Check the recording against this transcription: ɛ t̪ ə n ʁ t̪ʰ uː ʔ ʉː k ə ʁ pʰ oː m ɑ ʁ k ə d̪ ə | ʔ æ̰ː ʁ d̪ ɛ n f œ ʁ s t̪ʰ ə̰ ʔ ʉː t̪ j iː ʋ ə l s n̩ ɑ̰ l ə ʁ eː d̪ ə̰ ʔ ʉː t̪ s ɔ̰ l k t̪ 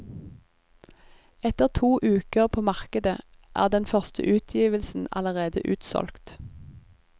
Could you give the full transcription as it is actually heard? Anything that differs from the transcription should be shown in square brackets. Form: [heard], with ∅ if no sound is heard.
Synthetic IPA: ɛ t̪ ə [∅] ʁ t̪ʰ uː ʔ ʉː k ə ʁ pʰ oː m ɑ ʁ k ə d̪ ə | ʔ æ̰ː ʁ d̪ ɛ n f œ ʁ s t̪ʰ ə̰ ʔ ʉː [t̪ʰ] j iː ʋ ə l s n̩ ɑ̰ l ə ʁ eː d̪ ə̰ ʔ ʉː t̪ s ɔ̰ l k t̪